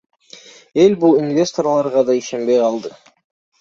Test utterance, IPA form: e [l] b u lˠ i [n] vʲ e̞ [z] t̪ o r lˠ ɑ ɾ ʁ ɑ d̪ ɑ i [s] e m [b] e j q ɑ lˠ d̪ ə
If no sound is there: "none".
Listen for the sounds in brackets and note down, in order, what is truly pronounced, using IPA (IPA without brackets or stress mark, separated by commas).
l, n, s, ʃ, b